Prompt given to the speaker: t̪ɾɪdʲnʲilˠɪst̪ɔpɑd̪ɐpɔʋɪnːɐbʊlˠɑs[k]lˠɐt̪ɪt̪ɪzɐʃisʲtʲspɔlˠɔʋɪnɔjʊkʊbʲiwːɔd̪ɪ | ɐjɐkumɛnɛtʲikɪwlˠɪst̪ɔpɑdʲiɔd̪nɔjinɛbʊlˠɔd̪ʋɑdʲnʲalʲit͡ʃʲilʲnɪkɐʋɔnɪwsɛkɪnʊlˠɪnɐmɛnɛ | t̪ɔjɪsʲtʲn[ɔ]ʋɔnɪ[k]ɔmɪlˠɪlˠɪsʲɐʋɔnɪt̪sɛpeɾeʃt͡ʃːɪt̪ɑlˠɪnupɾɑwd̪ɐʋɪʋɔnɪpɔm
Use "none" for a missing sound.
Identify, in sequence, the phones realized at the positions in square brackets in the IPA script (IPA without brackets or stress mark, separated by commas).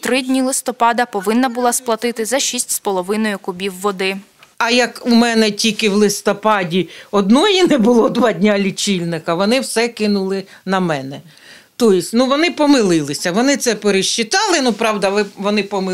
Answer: p, u, p